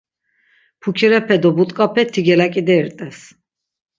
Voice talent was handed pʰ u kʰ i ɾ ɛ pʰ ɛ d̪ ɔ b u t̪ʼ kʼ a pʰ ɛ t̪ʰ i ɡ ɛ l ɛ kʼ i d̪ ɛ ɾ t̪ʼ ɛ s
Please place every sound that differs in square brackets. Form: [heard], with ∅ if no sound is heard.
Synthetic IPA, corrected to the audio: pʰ u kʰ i ɾ ɛ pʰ ɛ d̪ ɔ b u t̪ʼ kʼ a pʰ ɛ t̪ʰ i ɡ ɛ l [a] kʼ i d̪ ɛ ɾ t̪ʼ ɛ s